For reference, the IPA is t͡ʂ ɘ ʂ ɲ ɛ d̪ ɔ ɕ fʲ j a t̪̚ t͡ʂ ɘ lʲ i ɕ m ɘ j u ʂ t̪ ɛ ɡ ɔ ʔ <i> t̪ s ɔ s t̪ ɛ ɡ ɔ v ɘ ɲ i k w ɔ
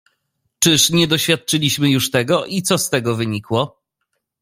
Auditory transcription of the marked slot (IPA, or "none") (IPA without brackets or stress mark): i